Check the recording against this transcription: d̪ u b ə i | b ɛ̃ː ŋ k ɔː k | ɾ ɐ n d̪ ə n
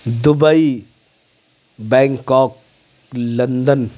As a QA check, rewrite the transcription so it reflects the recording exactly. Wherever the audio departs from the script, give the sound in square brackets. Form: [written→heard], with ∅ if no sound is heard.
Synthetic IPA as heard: d̪ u b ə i | b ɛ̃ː ŋ k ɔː k | [ɾ→l] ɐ n d̪ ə n